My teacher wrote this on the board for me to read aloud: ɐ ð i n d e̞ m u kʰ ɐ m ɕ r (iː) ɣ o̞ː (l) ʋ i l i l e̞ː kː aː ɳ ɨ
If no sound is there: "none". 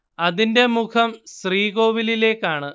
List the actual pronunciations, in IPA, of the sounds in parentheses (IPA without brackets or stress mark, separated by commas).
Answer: iː, none